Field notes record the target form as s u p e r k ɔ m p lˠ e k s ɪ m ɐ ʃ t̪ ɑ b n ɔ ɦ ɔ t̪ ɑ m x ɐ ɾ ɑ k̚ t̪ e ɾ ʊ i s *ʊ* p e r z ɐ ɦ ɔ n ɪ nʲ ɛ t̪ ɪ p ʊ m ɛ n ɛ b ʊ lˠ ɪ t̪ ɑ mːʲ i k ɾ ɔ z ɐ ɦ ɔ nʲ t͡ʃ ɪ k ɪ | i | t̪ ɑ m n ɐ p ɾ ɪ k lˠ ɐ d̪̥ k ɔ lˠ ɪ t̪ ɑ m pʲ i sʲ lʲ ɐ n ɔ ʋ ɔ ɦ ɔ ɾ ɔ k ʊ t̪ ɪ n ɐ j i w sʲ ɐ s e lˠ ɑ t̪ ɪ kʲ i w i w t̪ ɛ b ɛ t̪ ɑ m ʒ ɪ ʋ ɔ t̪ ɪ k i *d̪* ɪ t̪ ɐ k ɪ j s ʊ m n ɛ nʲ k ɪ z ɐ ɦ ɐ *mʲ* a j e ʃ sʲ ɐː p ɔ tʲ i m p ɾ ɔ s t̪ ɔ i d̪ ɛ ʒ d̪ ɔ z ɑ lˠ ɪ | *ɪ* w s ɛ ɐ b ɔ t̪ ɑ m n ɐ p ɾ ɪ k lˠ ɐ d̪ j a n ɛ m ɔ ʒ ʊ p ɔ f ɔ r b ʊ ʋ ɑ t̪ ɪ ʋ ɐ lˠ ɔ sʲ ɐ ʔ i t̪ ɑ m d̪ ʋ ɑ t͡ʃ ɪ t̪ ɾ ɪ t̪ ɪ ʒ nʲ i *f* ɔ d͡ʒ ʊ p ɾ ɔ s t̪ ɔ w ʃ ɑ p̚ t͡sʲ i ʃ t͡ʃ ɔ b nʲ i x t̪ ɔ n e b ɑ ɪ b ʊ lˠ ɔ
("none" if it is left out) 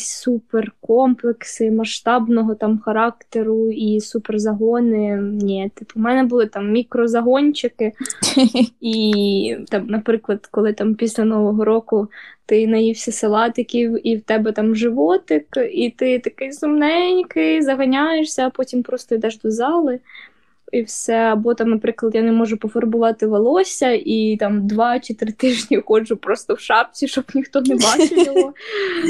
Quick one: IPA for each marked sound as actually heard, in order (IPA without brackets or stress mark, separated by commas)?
u, t̪, nʲ, i, x